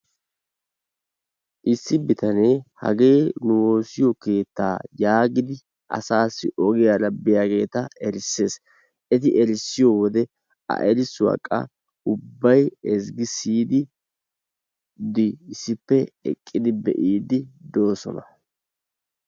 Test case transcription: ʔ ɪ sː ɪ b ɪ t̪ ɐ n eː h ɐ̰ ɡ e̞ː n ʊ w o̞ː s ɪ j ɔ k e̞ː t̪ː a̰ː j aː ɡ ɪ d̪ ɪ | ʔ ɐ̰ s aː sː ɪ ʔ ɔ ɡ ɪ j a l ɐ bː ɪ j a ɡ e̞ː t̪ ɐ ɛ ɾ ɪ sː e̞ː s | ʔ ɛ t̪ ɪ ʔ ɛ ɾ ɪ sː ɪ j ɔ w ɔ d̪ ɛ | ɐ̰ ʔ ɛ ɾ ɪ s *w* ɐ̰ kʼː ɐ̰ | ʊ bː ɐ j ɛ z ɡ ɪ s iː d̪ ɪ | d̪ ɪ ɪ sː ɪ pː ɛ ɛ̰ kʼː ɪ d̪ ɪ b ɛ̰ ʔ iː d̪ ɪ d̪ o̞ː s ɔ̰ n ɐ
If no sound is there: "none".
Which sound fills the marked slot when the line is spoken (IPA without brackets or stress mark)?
w